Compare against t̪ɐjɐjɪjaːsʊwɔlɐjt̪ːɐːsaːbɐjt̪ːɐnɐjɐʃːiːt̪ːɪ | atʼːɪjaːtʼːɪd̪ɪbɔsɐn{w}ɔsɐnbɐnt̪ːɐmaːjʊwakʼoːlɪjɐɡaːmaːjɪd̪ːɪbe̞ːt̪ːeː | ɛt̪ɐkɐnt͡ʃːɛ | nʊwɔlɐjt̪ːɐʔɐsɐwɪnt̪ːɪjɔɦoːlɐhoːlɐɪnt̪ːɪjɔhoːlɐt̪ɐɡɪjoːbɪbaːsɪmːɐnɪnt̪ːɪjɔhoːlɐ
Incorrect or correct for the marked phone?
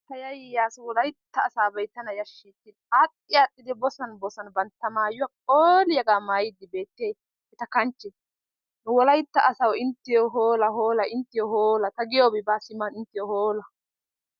incorrect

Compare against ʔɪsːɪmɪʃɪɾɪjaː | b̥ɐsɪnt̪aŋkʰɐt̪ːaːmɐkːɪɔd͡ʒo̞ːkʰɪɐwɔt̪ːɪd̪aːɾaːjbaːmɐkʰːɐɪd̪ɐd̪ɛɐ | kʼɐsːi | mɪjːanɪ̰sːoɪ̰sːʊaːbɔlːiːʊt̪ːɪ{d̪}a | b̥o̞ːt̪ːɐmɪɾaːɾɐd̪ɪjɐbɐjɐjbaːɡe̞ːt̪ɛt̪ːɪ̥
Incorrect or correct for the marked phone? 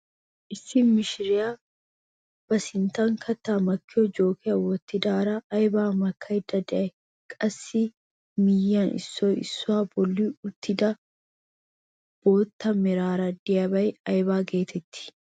correct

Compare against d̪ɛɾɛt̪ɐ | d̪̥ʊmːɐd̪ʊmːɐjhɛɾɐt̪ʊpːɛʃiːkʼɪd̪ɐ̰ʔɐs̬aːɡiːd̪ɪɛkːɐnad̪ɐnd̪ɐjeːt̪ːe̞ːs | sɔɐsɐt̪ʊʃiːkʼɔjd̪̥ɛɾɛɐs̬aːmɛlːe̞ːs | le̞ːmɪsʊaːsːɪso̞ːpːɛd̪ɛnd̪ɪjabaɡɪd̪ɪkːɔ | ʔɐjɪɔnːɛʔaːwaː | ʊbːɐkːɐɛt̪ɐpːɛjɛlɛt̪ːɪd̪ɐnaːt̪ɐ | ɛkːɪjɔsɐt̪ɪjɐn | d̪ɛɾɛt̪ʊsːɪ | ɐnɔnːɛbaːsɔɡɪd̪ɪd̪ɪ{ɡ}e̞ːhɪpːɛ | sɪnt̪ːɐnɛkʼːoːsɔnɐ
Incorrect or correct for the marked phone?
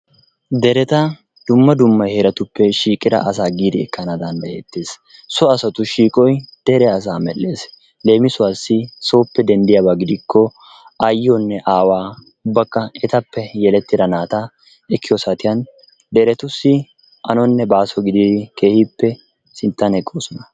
incorrect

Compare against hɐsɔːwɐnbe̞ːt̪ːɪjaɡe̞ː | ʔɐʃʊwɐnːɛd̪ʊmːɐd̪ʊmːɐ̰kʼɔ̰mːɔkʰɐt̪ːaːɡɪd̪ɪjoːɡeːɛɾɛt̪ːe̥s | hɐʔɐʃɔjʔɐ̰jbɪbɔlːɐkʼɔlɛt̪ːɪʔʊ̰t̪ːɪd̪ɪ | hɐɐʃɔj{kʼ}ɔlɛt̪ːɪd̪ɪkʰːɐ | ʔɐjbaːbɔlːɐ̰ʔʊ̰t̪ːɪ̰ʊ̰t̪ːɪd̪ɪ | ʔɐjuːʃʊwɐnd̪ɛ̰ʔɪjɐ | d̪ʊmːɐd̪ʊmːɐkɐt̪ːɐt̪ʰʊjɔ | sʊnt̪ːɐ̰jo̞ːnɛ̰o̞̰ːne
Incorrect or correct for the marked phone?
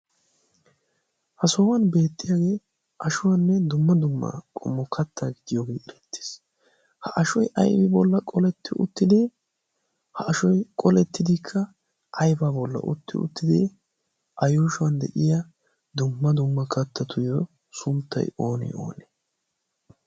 correct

